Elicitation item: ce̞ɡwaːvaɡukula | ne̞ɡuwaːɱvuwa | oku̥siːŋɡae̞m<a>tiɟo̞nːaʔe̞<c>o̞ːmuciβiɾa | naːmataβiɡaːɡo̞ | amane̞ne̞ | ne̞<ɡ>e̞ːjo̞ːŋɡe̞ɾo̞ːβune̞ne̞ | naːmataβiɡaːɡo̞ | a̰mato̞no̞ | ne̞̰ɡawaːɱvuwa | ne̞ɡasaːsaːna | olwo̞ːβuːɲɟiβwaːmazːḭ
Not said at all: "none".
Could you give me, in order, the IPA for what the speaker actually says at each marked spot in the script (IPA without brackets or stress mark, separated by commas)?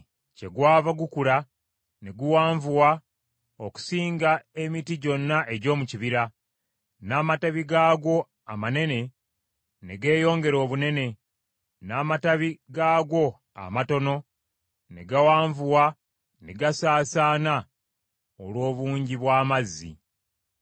i, ɟ, ɡ